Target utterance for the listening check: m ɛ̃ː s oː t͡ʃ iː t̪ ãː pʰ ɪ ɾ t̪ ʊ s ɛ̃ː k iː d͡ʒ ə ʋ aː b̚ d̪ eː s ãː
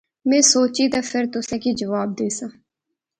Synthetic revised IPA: m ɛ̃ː s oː t͡ʃ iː t̪ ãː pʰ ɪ ɾ t̪ ʊ s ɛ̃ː k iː d͡ʒ ə ʋ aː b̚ d̪ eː s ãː